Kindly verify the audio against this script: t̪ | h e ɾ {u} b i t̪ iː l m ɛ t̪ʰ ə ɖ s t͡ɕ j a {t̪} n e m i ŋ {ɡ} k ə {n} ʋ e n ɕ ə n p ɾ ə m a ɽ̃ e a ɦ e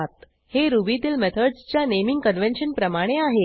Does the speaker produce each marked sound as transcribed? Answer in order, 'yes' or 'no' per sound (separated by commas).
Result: yes, no, yes, yes